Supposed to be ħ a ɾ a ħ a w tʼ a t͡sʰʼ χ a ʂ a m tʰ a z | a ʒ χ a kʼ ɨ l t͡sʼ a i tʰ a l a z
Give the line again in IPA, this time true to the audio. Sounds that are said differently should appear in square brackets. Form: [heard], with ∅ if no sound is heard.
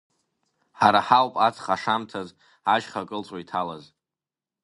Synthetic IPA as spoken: ħ a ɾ a ħ a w [pʼ] a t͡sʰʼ χ a ʂ a m tʰ a z | a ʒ χ a kʼ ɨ l t͡sʼ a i tʰ a l a z